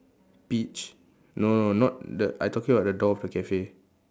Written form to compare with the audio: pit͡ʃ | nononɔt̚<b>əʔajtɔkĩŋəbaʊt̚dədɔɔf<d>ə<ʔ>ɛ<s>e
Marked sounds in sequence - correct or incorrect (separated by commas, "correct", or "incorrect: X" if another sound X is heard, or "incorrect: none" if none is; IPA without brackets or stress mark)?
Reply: incorrect: d, correct, incorrect: k, incorrect: f